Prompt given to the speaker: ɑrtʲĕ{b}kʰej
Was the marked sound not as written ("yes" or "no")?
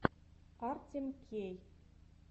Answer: yes